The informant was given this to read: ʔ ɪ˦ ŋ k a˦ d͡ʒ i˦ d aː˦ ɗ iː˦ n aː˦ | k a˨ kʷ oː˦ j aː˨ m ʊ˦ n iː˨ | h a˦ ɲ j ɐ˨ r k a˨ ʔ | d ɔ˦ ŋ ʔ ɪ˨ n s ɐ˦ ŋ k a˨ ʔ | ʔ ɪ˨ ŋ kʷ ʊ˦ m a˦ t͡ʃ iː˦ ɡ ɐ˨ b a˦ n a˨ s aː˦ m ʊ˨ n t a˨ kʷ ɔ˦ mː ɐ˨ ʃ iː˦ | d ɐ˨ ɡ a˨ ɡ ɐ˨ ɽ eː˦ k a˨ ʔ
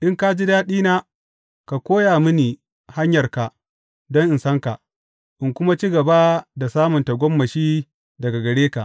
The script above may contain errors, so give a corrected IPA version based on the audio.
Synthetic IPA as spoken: ʔ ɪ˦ ŋ k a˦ d͡ʒ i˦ d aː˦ ɗ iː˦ n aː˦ | k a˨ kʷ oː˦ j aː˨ m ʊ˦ n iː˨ | h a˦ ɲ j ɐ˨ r k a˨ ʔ | d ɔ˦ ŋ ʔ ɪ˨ n s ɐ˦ ŋ k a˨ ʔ | ʔ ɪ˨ ŋ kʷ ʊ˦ m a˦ t͡ʃ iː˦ ɡ ɐ˨ b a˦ d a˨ s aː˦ m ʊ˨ n t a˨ ɡʷ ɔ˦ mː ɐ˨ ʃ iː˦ | d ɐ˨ ɡ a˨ ɡ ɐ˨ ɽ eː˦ k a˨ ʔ